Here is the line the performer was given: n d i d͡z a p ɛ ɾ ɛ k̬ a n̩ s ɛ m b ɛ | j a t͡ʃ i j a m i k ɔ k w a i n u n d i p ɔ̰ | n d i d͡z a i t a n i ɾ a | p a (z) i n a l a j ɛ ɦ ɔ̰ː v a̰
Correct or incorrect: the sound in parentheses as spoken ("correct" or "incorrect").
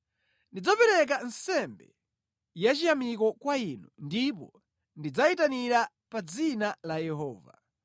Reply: incorrect